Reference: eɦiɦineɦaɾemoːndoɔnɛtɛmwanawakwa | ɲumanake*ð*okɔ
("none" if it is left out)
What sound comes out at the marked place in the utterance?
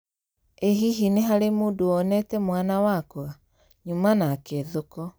ð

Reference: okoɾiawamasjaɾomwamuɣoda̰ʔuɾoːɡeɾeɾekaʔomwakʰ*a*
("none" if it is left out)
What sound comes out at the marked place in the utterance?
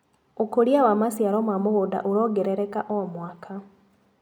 a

